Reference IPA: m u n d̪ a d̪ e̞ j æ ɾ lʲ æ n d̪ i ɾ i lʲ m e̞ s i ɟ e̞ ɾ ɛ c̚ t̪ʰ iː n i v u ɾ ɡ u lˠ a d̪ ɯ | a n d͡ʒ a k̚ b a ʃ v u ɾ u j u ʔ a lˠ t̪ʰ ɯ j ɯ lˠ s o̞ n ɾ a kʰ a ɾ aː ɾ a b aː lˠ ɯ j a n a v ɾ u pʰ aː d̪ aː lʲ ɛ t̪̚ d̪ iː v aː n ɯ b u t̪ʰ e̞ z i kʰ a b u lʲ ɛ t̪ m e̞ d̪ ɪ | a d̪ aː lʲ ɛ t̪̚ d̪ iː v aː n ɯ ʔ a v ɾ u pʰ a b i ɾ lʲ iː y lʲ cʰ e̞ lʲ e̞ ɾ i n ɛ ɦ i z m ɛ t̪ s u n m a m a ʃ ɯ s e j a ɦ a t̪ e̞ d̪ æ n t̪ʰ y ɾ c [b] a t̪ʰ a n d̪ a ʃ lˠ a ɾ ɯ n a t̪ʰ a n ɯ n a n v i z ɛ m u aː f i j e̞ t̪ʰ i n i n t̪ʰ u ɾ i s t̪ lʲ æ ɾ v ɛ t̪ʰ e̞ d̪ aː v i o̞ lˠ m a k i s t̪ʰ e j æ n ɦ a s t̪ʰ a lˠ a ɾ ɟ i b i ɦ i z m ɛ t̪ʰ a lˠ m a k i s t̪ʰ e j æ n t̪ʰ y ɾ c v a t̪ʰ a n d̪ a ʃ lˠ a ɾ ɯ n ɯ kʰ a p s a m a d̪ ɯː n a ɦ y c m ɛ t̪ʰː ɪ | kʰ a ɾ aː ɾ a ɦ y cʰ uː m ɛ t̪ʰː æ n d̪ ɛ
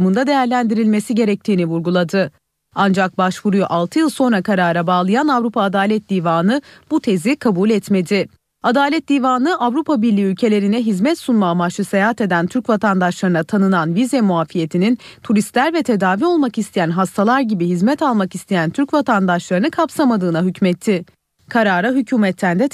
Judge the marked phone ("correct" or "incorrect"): incorrect